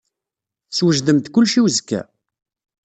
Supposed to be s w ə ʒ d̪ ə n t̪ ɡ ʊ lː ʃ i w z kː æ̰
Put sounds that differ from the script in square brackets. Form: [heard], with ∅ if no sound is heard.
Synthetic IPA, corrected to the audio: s w ə ʒ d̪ ə [m] t̪ [k] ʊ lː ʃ i w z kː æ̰